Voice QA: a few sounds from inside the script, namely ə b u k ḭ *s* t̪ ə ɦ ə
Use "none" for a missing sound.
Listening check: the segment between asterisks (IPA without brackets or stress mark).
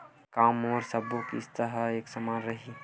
s